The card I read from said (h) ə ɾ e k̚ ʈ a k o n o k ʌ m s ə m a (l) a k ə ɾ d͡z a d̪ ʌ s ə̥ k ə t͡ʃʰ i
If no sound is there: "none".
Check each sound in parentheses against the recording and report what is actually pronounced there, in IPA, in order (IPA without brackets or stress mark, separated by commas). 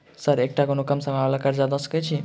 s, l